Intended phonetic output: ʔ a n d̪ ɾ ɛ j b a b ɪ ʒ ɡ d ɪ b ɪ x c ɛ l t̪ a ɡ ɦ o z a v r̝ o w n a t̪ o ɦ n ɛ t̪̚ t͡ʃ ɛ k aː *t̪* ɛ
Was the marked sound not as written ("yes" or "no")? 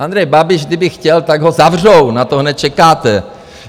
no